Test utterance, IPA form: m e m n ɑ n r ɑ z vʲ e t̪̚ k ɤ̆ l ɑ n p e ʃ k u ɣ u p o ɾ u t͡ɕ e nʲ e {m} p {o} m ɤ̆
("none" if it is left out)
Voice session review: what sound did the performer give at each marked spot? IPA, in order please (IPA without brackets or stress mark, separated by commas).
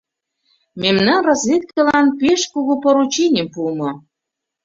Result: m, u